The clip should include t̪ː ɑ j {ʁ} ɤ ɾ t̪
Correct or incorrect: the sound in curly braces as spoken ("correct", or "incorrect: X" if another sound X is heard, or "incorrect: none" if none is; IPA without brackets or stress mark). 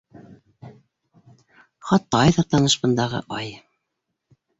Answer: incorrect: ð